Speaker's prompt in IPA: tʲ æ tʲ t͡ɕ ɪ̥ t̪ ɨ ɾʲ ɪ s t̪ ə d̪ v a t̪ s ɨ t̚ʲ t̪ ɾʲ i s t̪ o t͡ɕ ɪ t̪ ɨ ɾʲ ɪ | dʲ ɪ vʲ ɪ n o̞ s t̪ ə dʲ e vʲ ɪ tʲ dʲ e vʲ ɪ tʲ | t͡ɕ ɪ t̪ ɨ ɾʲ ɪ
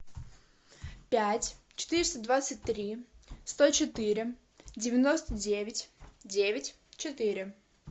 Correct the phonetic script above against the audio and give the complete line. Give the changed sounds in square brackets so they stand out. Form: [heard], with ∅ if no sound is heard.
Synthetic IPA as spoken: [pʲ] æ tʲ t͡ɕ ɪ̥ t̪ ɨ ɾʲ ɪ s t̪ ə d̪ v a t̪ s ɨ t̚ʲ t̪ ɾʲ i s t̪ o t͡ɕ ɪ t̪ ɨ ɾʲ ɪ | dʲ ɪ vʲ ɪ n o̞ s t̪ ə dʲ e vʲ ɪ tʲ dʲ e vʲ ɪ tʲ | t͡ɕ ɪ t̪ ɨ ɾʲ ɪ

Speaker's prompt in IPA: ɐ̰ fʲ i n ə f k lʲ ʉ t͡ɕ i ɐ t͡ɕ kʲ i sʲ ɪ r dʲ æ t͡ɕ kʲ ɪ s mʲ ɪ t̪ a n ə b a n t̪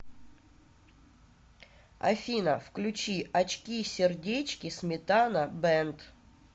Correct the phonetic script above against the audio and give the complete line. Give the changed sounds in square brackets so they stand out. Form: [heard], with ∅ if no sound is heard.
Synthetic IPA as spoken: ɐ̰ fʲ i n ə f k lʲ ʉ t͡ɕ i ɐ t͡ɕ kʲ i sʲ ɪ r dʲ [e] t͡ɕ kʲ ɪ s mʲ ɪ t̪ a n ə b [ɛ] n t̪

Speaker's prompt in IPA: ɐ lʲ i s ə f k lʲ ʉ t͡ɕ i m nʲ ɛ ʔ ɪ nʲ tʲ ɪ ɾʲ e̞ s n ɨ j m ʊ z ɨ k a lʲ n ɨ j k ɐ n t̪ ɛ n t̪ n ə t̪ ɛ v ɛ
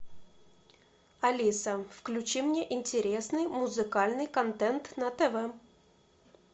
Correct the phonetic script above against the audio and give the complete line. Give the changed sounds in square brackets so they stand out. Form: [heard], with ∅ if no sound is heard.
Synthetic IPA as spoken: ɐ lʲ i s ə f k lʲ ʉ t͡ɕ i m nʲ [e] ʔ ɪ nʲ tʲ ɪ ɾʲ e̞ s n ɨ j m ʊ z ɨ k a lʲ n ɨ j k ɐ n t̪ ɛ n t̪ n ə t̪ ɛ v ɛ

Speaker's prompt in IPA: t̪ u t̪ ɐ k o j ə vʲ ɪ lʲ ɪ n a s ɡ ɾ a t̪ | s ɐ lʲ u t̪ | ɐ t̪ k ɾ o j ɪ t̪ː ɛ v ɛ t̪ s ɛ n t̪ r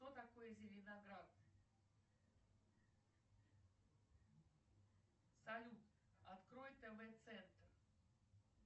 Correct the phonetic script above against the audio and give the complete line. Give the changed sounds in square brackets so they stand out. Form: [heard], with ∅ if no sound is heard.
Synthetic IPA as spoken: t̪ [o] t̪ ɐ k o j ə [zʲ] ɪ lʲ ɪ n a [∅] ɡ ɾ a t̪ | s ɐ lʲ u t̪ | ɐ t̪ k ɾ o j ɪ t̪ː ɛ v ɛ t̪ s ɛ n t̪ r

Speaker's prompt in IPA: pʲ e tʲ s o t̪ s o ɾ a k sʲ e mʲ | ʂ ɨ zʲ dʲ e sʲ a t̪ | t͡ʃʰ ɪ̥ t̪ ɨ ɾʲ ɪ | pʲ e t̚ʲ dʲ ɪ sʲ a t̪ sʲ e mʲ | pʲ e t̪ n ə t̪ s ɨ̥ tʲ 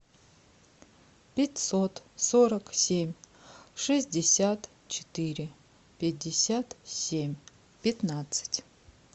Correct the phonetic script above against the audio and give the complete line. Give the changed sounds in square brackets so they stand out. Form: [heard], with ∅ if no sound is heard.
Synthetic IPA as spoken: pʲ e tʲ s o t̪ s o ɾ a k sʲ e mʲ | ʂ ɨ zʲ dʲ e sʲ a t̪ | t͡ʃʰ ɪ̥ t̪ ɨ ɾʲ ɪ | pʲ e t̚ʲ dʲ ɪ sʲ a t̪ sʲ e mʲ | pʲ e t̪ n [a] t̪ s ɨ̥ tʲ

